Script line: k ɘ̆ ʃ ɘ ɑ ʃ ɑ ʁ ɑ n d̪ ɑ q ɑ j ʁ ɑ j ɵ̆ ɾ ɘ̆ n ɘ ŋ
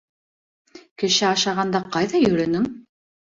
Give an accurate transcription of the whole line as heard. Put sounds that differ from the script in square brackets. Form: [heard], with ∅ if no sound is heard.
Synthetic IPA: k ɘ̆ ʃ ɘ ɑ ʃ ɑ ʁ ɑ n d̪ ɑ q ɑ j [ð] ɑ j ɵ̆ ɾ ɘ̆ n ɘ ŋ